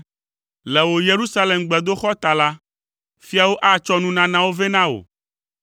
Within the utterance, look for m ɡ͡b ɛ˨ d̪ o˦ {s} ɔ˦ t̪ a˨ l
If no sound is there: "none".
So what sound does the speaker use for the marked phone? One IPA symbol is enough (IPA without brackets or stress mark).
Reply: x